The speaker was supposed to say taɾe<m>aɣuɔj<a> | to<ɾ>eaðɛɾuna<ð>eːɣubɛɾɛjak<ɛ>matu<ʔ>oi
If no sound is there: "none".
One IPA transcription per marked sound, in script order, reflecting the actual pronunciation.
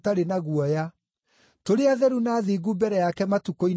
n, a, ɾ, ð, ɛ, k

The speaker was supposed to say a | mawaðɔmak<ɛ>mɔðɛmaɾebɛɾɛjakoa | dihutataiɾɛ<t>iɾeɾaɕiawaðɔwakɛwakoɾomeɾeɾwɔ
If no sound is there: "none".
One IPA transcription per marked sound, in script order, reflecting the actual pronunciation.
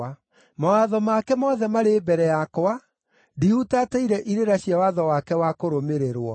ɛ, ʔ

